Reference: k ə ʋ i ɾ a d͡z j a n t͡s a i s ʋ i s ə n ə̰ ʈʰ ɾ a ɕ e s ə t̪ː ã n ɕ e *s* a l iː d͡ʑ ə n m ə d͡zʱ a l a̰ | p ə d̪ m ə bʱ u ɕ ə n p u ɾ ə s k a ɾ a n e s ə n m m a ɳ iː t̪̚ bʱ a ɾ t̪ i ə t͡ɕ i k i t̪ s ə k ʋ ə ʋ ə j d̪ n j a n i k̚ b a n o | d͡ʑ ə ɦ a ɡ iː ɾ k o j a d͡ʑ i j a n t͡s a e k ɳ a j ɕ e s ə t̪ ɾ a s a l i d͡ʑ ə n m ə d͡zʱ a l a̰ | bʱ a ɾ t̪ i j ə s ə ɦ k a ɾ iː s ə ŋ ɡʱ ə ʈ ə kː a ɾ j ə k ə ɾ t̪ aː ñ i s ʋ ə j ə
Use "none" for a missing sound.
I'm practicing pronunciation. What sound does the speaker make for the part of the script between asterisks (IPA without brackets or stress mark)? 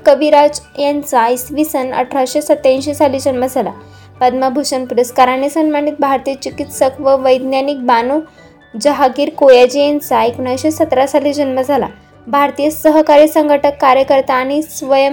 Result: s